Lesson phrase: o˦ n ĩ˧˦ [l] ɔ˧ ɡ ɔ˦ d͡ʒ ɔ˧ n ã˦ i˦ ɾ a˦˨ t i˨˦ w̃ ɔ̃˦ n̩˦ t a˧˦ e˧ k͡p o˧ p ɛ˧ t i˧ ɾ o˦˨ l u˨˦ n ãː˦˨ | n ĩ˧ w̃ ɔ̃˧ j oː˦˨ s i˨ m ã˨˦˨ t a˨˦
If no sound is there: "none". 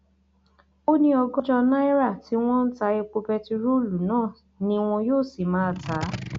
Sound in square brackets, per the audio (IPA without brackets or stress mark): none